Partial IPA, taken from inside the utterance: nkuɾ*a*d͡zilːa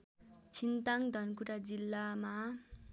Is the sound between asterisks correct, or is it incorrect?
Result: correct